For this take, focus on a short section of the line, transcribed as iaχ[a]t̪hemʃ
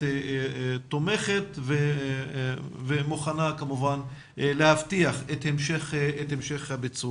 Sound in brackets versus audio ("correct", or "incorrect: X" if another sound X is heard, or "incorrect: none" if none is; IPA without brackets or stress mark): incorrect: e